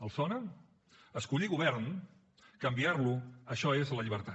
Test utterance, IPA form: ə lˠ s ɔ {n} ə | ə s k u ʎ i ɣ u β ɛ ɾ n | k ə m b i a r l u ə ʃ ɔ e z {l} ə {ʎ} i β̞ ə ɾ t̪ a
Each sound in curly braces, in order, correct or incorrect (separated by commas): correct, correct, correct